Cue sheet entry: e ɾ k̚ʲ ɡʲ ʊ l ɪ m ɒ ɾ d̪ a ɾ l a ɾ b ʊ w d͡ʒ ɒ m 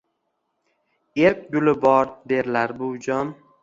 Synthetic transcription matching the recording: e ɾ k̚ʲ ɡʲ ʊ l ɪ b ɒ ɾ d̪ e ɾ l a ɾ b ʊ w d͡ʒ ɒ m